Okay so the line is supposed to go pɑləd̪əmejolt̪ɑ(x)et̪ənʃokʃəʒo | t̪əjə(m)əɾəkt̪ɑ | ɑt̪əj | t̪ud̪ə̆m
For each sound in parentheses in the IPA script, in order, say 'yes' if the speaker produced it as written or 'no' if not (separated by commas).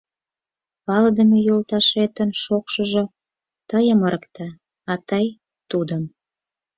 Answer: no, yes